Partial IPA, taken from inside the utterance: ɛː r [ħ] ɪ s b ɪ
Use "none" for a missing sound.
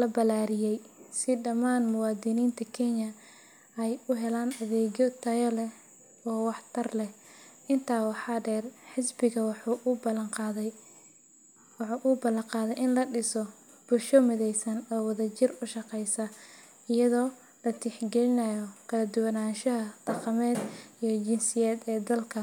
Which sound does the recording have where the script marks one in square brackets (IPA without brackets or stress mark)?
ħ